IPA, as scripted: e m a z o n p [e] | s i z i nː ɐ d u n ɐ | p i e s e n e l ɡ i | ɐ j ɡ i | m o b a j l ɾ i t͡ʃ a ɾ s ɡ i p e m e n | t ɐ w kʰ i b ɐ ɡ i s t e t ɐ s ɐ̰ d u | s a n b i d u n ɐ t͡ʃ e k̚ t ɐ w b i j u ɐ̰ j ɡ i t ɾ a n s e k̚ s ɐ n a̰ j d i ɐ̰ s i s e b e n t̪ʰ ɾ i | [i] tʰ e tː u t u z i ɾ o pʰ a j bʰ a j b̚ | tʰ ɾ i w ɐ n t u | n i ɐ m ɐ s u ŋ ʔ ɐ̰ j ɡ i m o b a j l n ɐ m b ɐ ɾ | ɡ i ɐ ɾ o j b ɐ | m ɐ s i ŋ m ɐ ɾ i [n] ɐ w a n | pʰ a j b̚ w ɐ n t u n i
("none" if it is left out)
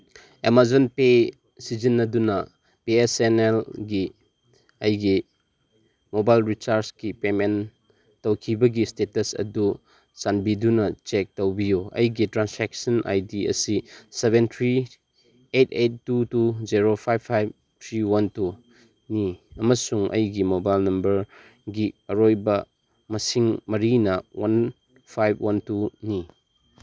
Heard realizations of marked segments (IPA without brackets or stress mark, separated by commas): e, e, n